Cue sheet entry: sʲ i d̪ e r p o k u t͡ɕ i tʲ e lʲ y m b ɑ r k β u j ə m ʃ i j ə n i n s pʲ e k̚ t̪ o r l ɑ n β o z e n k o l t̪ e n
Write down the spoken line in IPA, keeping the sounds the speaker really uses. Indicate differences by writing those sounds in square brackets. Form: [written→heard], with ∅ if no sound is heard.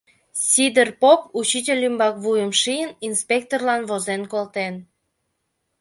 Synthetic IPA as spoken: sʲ i d̪ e r p o [k→p] u t͡ɕ i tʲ e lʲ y m b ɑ [r→∅] k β u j ə m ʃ i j ə n i n s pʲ e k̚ t̪ o r l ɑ n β o z e n k o l t̪ e n